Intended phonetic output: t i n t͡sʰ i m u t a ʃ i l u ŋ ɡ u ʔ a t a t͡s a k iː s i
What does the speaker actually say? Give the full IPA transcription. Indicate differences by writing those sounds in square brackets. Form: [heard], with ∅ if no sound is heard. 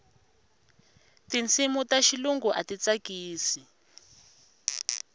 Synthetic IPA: t i n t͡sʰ i m u t a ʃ i l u ŋ ɡ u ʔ a t [i] t͡s a k iː s i